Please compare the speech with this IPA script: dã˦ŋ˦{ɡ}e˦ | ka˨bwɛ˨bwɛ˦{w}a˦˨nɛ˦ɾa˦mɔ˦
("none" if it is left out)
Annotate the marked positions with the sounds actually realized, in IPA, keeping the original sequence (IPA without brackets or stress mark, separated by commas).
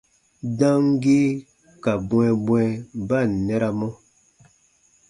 ɡ, b